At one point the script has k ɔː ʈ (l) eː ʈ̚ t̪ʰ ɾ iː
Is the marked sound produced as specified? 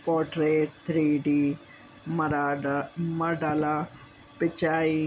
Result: no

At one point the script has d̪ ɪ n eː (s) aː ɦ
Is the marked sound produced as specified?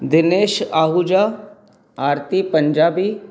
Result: no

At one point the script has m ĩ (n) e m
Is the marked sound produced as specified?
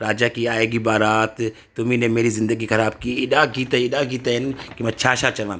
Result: yes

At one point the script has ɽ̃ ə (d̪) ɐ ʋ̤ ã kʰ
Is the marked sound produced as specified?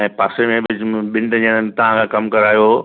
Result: no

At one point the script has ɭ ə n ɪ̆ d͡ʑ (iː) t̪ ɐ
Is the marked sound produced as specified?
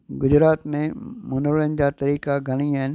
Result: no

